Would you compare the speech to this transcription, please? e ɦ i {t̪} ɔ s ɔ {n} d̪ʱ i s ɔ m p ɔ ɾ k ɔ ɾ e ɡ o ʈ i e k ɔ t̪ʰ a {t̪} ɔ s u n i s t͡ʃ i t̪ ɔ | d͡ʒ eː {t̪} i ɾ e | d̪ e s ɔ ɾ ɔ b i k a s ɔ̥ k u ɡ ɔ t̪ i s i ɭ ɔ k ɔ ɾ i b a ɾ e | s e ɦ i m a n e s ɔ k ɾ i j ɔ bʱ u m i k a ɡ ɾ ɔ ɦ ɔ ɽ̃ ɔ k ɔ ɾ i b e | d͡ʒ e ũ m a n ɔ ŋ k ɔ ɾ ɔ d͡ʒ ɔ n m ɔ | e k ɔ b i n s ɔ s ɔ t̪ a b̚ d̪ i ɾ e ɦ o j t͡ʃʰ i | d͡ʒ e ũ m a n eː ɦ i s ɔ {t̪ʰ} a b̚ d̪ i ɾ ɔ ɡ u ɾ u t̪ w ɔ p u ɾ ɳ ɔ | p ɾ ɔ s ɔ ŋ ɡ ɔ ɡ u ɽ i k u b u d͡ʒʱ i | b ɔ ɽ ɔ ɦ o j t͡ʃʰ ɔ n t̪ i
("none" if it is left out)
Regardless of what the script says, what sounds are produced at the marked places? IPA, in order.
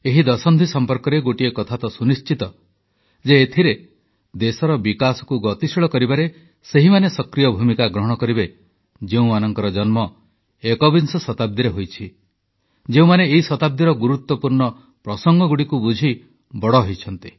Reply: d̪, n, t̪, t̪ʰ, t̪

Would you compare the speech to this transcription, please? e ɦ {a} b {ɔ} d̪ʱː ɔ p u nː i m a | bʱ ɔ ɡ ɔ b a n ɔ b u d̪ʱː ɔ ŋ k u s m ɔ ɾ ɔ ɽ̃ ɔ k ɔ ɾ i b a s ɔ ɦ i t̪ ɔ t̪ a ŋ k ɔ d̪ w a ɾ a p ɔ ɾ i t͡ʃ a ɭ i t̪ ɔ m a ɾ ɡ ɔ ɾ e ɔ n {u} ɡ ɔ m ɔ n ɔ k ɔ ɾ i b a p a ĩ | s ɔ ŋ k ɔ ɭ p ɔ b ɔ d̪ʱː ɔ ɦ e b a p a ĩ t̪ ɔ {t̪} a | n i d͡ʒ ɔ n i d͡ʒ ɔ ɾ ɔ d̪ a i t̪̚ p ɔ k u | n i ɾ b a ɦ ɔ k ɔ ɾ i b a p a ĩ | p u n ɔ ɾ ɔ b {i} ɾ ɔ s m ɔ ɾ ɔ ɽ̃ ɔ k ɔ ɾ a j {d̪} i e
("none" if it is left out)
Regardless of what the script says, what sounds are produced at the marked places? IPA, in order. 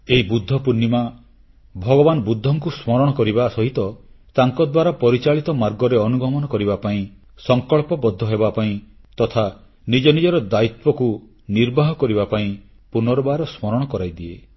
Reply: i, u, u, t̪ʰ, a, d̪

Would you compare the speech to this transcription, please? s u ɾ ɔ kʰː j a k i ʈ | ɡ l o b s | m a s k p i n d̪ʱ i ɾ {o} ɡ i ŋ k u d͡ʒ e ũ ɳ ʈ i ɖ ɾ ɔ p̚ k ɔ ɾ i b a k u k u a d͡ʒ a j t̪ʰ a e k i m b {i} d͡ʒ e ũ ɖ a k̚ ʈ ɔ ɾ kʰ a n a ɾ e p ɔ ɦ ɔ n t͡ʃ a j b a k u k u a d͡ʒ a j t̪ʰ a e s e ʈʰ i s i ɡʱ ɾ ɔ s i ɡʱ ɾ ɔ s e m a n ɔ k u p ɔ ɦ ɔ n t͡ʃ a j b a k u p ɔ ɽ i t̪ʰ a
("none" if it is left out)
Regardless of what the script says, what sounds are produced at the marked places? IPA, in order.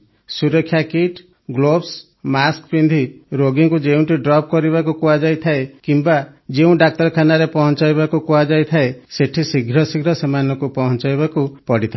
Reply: o, a

